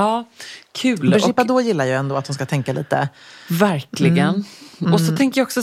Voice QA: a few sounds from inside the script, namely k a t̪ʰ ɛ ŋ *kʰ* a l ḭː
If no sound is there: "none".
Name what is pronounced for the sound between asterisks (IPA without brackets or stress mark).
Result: k